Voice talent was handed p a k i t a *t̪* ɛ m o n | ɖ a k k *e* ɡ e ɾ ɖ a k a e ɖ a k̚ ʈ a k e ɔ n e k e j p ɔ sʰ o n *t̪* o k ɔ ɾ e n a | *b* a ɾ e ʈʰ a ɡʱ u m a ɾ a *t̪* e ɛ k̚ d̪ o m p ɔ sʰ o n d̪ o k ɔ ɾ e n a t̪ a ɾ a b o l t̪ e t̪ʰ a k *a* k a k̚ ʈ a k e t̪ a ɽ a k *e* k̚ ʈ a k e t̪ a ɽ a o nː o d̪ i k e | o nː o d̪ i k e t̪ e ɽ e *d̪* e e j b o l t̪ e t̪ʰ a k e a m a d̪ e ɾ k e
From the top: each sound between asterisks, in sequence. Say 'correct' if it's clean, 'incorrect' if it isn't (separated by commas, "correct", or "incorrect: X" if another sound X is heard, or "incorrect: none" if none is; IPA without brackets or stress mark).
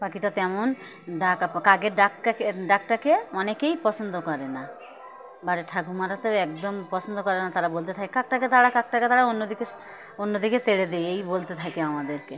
correct, incorrect: a, incorrect: d̪, correct, correct, incorrect: e, incorrect: a, correct